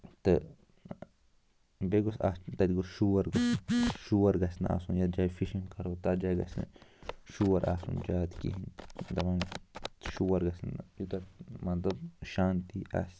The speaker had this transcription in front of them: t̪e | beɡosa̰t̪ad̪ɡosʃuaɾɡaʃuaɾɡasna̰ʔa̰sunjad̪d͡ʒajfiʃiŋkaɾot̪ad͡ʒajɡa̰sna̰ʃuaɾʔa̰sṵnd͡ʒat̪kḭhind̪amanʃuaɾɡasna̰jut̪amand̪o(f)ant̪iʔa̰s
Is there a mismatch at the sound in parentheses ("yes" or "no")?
yes